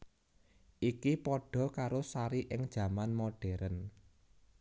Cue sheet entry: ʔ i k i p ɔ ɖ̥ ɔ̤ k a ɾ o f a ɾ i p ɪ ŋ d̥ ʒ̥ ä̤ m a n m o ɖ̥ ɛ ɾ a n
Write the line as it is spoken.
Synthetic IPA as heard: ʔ i k i p ɔ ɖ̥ ɔ̤ k a ɾ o s a ɾ i ʔ ɪ ŋ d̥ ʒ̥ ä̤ m a n m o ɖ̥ ɛ ɾ ə n